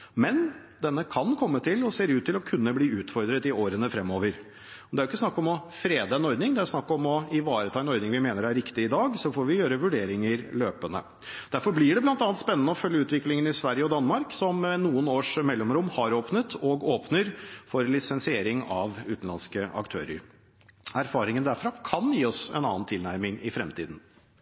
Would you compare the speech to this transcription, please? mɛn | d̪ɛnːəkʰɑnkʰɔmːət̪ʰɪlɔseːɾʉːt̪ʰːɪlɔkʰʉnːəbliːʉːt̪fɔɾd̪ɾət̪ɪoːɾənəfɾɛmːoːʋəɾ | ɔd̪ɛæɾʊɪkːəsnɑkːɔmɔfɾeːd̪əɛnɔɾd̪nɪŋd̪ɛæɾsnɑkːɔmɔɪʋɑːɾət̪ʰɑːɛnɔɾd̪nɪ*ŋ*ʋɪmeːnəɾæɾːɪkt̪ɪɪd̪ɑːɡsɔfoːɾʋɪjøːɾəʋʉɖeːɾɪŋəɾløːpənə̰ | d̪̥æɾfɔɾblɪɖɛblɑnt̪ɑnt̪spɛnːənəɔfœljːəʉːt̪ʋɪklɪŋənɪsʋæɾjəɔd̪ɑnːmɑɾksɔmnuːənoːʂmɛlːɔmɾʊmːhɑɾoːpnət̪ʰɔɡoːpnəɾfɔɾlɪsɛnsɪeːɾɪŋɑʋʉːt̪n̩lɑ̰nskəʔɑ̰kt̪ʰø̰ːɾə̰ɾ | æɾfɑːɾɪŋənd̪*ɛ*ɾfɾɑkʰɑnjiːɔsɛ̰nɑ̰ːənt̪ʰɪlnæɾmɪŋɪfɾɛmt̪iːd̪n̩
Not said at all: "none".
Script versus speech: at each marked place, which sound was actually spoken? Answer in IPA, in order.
ŋ, æ

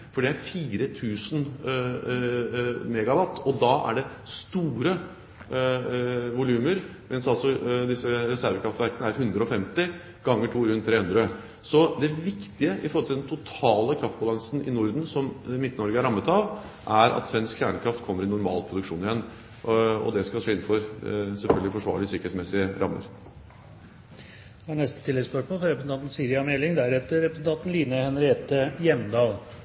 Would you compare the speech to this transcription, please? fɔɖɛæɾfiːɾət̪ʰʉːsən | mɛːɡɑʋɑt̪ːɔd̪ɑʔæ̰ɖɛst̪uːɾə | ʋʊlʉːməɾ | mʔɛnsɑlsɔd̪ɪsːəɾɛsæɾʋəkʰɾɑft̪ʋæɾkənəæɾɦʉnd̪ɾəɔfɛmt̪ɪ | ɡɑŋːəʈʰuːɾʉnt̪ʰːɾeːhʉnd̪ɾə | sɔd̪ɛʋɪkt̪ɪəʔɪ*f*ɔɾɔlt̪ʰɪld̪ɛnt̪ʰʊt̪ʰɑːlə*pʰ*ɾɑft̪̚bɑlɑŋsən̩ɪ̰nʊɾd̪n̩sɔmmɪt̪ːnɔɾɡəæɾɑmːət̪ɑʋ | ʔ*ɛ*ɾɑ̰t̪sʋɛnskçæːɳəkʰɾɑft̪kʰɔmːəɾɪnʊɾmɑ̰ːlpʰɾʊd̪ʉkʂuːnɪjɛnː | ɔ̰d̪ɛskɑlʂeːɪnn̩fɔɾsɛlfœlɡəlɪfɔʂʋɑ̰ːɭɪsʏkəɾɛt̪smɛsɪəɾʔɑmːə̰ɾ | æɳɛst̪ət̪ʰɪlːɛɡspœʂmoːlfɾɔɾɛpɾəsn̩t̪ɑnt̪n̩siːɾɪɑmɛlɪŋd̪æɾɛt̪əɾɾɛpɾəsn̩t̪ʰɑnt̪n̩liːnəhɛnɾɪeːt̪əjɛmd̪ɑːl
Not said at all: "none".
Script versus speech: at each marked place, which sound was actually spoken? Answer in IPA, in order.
f, kʰ, æ

